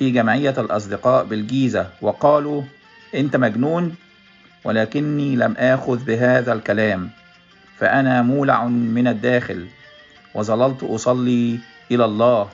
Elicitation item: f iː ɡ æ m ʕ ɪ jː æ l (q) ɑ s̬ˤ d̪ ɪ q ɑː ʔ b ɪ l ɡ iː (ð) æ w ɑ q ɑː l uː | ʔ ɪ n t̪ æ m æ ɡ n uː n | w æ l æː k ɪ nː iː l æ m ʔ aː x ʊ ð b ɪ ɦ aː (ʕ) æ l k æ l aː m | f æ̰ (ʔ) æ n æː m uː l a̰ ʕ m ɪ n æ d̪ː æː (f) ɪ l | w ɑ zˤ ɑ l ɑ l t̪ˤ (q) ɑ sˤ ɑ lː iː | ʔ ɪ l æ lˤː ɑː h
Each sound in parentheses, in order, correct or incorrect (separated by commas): incorrect, incorrect, incorrect, correct, incorrect, incorrect